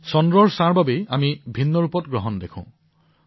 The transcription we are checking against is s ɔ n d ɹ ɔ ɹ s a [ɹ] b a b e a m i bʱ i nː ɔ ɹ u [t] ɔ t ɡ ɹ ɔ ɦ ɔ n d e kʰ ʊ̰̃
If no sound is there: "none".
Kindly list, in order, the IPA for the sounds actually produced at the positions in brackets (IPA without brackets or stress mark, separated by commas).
ɹ, p